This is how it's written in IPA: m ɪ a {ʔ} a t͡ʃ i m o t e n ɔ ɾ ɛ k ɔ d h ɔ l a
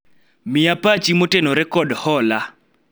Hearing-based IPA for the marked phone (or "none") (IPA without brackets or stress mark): p